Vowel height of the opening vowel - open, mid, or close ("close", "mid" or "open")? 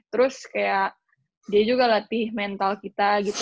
mid